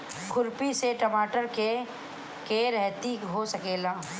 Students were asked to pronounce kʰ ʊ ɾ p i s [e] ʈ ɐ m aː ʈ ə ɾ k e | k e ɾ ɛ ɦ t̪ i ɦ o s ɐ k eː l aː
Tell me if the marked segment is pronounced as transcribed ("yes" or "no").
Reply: yes